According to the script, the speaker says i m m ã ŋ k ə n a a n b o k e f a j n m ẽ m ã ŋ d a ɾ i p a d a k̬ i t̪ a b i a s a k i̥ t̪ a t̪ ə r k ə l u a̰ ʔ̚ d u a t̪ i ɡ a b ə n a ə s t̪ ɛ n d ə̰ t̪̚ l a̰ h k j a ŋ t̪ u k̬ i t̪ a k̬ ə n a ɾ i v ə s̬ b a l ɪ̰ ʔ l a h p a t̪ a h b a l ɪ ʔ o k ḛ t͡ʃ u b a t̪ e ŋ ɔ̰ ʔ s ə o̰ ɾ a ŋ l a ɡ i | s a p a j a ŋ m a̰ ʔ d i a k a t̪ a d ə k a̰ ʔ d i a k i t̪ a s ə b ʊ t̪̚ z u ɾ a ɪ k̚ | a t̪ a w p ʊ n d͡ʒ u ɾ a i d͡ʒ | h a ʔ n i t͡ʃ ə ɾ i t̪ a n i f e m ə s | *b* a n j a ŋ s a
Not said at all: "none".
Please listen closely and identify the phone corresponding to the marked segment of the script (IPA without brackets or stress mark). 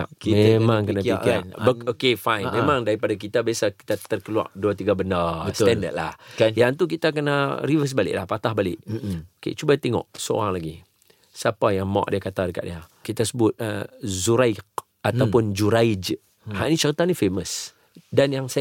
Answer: d